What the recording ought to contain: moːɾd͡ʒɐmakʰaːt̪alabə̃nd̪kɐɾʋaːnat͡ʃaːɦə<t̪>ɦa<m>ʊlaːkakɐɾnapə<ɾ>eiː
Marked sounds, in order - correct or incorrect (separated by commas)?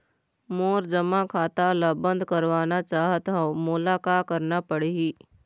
correct, correct, incorrect